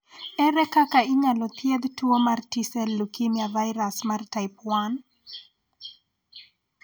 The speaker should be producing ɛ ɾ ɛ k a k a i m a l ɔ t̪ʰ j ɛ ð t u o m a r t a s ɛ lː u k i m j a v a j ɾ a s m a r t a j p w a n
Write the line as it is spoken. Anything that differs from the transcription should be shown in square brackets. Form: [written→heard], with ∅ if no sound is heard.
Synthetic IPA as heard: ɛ ɾ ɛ k a k a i [m→ɲ] a l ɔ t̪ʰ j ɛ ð t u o m a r t [a→i] s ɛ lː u k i m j a v a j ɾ a s m a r t a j p w a n